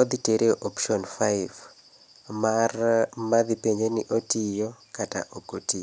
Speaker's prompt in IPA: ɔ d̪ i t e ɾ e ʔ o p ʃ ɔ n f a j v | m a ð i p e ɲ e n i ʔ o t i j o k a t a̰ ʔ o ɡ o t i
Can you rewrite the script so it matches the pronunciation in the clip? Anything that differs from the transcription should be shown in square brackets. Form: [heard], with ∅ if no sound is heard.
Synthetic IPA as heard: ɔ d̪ i t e ɾ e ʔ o p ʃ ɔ n f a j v | m a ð i p e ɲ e n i ʔ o t i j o k a t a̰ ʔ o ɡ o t i